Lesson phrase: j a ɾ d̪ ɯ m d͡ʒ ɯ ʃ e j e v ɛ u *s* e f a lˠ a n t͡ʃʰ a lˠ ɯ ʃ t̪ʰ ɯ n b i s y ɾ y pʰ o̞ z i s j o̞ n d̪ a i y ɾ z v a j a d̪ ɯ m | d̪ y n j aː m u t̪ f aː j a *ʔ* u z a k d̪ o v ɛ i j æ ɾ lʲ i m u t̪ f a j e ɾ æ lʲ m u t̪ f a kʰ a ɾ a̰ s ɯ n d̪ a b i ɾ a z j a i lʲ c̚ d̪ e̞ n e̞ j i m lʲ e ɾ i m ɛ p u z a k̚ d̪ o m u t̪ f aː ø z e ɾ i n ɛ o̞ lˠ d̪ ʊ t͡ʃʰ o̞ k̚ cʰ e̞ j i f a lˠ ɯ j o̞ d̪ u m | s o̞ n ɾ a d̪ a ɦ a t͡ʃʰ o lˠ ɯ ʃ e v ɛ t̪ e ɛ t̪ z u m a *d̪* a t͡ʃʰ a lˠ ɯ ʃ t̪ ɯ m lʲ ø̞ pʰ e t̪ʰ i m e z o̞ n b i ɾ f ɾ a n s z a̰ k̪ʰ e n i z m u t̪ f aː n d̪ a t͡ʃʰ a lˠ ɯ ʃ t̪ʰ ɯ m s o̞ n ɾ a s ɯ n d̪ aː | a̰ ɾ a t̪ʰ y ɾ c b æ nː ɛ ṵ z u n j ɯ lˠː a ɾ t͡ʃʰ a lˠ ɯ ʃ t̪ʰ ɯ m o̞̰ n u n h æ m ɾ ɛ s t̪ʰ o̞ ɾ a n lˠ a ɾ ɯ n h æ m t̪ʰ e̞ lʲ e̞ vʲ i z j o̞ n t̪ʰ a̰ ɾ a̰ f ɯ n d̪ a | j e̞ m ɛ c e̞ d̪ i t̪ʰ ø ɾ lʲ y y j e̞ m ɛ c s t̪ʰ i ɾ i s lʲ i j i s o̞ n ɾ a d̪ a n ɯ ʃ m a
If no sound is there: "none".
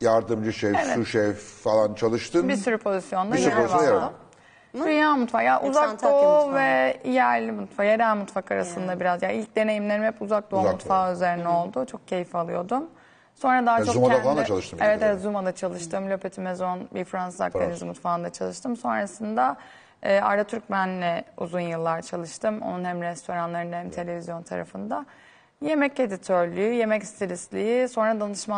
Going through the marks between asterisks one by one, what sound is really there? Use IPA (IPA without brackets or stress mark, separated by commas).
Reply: ʃ, ʔ, d̪